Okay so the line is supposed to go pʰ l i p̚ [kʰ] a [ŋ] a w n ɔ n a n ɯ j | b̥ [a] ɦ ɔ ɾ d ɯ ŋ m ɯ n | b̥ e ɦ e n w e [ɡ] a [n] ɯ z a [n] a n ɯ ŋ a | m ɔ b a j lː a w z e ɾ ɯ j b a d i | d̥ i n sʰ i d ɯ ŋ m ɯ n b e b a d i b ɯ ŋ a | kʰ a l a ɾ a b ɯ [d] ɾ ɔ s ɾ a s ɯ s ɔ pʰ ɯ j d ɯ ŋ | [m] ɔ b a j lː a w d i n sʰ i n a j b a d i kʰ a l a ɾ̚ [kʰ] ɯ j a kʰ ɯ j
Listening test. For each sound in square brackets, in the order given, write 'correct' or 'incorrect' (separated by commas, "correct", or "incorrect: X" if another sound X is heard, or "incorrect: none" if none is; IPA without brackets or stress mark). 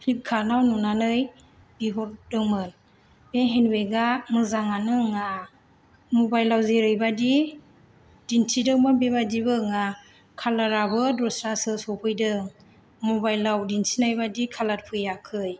correct, incorrect: n, incorrect: i, correct, incorrect: m, incorrect: ŋ, correct, correct, incorrect: pʰ